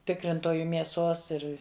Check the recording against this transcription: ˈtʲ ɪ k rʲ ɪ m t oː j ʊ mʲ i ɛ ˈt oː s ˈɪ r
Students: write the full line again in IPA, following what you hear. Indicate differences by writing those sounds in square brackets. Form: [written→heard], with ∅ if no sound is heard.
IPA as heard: ˈtʲ ɪ k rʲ ɪ [m→n] t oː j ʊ mʲ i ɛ [ˈt→ˈs] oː s ˈɪ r